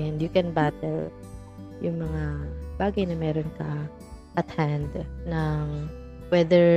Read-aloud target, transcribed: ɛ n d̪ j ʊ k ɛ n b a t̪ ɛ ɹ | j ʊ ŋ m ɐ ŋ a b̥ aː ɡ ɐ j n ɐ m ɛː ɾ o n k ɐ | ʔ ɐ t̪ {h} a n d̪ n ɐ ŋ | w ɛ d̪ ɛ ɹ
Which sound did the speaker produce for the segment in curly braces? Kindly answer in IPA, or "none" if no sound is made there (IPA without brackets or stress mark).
h